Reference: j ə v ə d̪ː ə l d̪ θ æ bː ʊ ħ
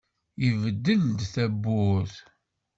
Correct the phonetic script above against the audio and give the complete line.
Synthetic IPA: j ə v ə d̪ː ə l d̪ θ æ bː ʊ θ

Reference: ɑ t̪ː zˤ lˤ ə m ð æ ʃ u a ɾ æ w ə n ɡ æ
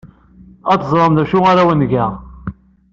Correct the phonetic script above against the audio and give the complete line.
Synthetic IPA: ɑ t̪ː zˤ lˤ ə m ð æ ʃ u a ɾ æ w ə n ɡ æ

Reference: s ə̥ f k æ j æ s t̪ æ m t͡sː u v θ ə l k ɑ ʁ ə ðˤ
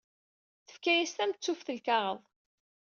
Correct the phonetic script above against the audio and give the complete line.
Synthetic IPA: θ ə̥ f k æ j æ s t̪ æ m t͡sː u f θ ə l k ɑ ʁ ə ðˤ

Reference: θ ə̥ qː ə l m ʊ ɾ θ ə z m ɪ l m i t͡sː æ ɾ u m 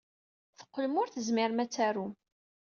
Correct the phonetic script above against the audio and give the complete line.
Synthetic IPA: θ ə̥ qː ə l m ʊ ɾ θ ə z m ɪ ɾ m æ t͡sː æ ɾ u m

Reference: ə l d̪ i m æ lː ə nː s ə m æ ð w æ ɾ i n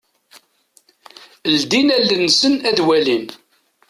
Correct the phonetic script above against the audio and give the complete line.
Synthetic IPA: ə l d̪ i n æ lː ə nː s ə n æ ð w æ l i n

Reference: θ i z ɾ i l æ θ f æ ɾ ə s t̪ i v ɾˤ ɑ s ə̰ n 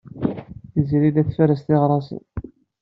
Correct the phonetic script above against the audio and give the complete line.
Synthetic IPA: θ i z ɾ i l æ θ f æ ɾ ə s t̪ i ʁ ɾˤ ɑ s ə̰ n

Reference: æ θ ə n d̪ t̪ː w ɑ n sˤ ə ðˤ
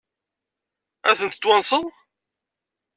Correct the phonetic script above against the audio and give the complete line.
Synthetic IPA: æ θ ə n t̪ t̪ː w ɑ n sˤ ə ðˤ

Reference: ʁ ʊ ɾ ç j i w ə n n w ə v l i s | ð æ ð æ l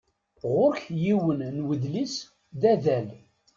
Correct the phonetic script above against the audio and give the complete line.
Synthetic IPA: ʁ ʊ ɾ ç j i w ə n n w ə ð l i s | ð æ ð æ l

